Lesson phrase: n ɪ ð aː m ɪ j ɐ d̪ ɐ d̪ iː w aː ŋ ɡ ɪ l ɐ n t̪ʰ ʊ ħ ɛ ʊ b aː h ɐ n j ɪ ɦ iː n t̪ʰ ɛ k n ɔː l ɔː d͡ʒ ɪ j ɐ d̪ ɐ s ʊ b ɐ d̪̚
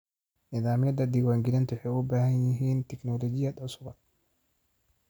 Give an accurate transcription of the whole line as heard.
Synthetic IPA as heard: n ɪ ð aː m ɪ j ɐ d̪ ɐ d̪ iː w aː ŋ ɡ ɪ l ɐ n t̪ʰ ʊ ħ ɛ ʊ b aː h ɐ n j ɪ ɦ iː n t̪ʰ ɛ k n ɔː l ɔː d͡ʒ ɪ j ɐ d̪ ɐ s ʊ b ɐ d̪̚